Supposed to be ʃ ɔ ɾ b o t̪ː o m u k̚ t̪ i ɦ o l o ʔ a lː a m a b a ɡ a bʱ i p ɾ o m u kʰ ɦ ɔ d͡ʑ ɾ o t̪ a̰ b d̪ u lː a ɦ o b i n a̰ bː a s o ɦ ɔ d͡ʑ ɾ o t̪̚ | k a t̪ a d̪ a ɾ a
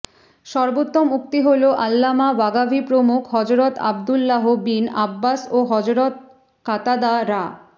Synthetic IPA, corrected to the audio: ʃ ɔ ɾ b o t̪ː o m u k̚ t̪ i ɦ o l o ʔ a lː a m a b a ɡ a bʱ i p ɾ o m u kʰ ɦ ɔ d͡ʑ ɾ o t̪ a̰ b d̪ u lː a ɦ o b i n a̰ bː a s o ɦ ɔ d͡ʑ ɾ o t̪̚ | k a t̪ a d̪ a ɾ a